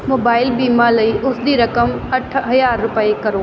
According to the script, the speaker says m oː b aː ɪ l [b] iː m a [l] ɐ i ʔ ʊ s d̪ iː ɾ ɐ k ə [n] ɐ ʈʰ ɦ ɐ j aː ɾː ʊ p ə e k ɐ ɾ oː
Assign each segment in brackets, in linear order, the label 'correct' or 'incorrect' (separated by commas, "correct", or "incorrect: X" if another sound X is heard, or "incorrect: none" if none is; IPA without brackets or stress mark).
correct, correct, incorrect: m